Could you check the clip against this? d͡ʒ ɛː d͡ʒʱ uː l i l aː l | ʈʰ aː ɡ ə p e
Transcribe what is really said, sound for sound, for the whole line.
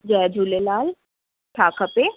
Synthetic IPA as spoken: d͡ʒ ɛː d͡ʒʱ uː l e l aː l | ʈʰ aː k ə p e